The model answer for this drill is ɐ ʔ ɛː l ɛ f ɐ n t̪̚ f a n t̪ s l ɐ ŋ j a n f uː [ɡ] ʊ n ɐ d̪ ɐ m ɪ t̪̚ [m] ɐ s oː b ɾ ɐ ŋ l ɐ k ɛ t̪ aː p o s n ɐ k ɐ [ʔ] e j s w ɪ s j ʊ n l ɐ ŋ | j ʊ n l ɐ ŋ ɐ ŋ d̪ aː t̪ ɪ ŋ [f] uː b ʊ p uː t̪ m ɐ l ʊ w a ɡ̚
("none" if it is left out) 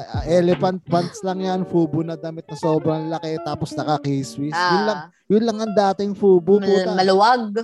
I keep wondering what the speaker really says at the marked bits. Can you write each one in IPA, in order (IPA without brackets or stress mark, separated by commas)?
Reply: b, n, k, f